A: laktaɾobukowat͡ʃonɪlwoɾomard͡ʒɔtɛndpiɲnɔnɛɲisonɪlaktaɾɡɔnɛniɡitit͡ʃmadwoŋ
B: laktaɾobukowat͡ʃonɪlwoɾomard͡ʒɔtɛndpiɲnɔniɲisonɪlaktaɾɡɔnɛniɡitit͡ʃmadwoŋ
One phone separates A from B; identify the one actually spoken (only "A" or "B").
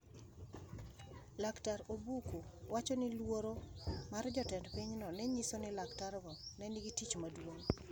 A